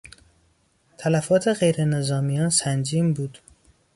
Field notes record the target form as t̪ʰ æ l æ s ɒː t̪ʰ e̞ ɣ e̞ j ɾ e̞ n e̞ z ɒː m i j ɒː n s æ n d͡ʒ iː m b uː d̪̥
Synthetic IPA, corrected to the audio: t̪ʰ æ l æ f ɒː t̪ʰ e̞ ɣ e̞ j ɾ e̞ n e̞ z ɒː m i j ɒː n s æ n d͡ʒ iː m b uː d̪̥